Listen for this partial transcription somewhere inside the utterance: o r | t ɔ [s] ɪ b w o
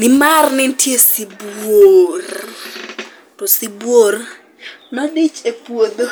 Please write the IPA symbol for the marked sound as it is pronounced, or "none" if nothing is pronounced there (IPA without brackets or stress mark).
s